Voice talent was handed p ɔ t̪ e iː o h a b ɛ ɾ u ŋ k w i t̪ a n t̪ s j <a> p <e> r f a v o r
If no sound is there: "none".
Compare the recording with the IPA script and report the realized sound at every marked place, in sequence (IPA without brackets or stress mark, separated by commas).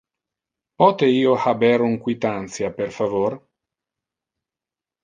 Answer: a, e